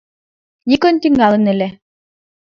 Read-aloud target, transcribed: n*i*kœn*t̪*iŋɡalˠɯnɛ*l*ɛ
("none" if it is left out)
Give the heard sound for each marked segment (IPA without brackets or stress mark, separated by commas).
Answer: i, t̪, l